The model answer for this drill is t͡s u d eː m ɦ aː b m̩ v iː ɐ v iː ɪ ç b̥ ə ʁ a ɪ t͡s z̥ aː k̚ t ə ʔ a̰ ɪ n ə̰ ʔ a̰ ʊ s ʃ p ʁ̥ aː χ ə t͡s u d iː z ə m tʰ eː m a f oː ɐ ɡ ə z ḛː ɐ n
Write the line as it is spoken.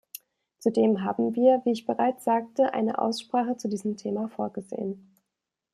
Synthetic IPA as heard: t͡s u d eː m ɦ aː b m̩ v iː ɐ v iː ɪ ç b̥ ə ʁ a ɪ t͡s z̥ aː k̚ t ə ʔ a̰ ɪ n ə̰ ʔ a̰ ʊ s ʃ p ʁ̥ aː χ ə t͡s u d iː z ə m tʰ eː m a f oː ɐ ɡ ə z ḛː ə n

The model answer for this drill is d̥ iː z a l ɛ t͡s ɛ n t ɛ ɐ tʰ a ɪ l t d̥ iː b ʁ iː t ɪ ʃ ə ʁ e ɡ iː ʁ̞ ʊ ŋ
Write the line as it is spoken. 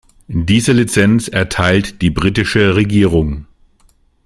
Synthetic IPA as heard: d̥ iː z ə l i t͡s ɛ n t͡s ɛ ɐ tʰ a ɪ l t d̥ iː b ʁ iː t ɪ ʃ ə ʁ e ɡ iː ʁ̞ ʊ ŋ

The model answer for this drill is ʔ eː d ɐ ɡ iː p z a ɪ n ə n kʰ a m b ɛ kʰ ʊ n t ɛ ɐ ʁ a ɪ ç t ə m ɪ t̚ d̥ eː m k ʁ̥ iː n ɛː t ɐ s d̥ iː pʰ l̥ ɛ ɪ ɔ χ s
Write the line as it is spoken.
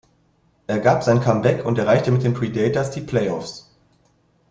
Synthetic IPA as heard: ʔ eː ɐ ɡ aː p z a ɪ n ə n kʰ a m b ɛ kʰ ʊ n t ɛ ɐ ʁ a ɪ ç t ə m ɪ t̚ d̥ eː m p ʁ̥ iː d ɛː t ɐ s d̥ iː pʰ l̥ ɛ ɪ ɔ f s

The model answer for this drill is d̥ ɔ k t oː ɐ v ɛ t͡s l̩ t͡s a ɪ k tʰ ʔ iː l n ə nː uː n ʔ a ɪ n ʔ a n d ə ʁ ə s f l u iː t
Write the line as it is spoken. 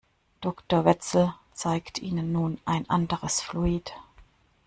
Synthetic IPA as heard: d̥ ɔ k t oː ɐ v ɛ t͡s l̩ t͡s a ɪ k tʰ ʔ iː n ə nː uː n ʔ a ɪ n ʔ a n d ə ʁ ə s f l u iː t

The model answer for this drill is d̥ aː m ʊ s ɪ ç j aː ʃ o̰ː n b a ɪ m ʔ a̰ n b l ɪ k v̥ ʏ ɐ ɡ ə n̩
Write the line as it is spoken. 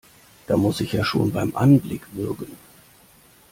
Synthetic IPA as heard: d̥ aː m ʊ s ɪ ç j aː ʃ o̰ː n b a ɪ m ʔ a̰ n b l ɪ k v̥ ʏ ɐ ɡ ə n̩

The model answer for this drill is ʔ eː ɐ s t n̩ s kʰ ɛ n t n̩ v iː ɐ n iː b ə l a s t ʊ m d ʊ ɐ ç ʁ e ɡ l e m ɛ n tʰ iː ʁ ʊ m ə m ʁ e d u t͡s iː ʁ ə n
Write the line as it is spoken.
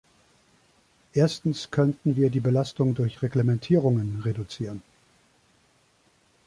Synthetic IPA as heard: ʔ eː ɐ s t n̩ s kʰ œ n t n̩ v iː ɐ d iː b ə l a s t ʊ ŋ d ʊ ɐ ç ʁ e ɡ l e m ɛ n tʰ iː ʁ ʊ ŋ ə n ʁ e d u t͡s iː ʁ ə n

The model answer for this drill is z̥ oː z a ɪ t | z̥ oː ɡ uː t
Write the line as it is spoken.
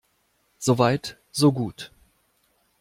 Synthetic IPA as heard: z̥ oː v a ɪ t | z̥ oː ɡ uː t

